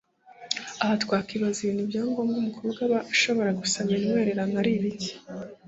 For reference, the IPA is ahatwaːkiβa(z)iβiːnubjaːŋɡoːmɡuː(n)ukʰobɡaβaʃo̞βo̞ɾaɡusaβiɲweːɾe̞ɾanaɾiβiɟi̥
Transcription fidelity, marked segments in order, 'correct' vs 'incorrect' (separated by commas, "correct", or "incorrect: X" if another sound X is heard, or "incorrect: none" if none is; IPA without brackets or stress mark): correct, incorrect: m